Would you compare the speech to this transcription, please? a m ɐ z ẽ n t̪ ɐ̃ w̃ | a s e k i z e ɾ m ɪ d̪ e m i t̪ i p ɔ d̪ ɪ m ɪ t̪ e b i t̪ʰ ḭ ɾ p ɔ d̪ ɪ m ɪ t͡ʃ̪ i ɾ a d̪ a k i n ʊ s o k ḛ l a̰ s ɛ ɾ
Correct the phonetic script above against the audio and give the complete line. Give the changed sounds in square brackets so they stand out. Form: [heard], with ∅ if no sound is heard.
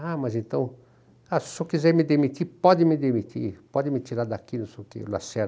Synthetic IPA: a m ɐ z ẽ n t̪ ɐ̃ w̃ | a s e k i z [ɛ] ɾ m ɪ d̪ e m i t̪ i p ɔ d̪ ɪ m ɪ [d̪] e [m] i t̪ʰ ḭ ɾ p ɔ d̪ ɪ m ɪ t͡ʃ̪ i ɾ a d̪ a k i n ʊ s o k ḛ l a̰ s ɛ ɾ